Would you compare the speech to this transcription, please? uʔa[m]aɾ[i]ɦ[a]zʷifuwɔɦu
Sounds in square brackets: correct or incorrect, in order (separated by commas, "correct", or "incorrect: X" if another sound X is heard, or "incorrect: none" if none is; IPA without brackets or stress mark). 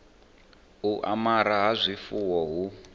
correct, incorrect: a, correct